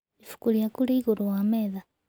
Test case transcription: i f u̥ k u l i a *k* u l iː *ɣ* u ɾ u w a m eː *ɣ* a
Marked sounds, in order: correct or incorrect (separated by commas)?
correct, correct, incorrect